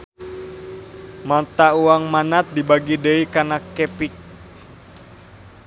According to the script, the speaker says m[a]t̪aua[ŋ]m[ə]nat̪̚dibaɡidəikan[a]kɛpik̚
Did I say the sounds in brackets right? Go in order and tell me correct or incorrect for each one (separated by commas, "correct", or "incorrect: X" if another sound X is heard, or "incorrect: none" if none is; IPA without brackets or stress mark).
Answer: correct, correct, incorrect: a, correct